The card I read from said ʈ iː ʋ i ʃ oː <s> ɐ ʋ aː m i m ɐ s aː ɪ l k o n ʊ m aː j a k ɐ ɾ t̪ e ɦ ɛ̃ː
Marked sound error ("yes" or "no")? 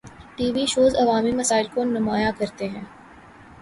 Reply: yes